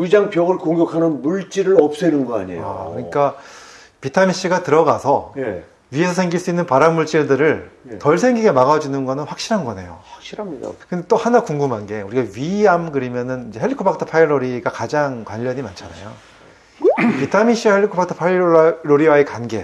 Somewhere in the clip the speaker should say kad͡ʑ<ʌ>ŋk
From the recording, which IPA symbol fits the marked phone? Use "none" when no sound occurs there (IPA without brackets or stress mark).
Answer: a